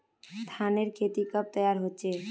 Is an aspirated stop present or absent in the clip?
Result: present